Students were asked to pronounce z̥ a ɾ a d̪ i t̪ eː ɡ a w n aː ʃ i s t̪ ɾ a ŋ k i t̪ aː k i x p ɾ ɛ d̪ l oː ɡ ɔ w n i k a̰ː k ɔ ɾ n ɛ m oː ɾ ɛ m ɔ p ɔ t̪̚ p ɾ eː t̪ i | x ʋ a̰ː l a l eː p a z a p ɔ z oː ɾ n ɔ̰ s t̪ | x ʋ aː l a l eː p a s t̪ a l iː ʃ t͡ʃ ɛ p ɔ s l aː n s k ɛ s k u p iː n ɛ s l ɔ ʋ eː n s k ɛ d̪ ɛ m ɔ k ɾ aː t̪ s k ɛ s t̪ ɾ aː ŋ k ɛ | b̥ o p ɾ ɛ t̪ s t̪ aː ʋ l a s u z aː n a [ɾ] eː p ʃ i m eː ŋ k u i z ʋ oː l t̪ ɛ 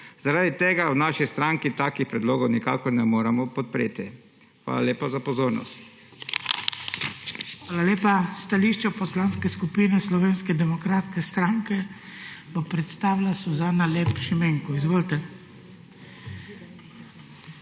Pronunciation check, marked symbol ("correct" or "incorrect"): incorrect